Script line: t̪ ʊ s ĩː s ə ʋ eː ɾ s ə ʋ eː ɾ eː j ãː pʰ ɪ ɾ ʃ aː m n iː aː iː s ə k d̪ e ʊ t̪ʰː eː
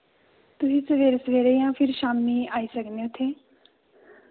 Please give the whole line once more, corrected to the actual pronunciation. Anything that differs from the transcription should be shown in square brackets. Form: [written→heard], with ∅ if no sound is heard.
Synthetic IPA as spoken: t̪ ʊ s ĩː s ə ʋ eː ɾ s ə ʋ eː ɾ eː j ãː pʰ ɪ ɾ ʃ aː m n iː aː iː s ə k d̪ e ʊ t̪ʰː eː